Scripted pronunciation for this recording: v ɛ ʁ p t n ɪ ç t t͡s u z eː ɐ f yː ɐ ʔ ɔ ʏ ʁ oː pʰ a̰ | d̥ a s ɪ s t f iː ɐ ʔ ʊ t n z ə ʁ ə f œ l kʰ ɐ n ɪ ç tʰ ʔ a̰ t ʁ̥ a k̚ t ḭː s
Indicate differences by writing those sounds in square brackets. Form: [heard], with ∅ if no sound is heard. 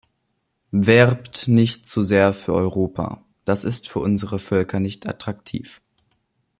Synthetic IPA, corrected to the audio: v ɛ ʁ p t n ɪ ç t t͡s u z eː ɐ f yː ɐ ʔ ɔ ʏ ʁ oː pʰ a̰ | d̥ a s ɪ s t f [yː] ɐ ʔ ʊ [∅] n z ə ʁ ə f œ l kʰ ɐ n ɪ ç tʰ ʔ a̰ t ʁ̥ a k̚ [tʰ] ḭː [f]